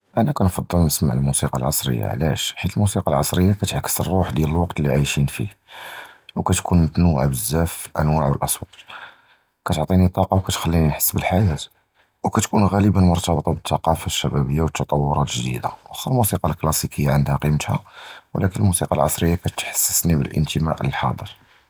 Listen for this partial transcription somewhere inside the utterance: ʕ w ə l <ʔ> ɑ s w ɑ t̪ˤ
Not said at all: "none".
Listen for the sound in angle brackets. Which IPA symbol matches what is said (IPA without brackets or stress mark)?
ʔ